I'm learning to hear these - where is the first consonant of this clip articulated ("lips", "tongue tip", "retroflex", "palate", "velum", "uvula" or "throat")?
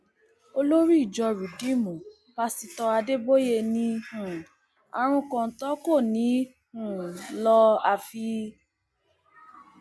tongue tip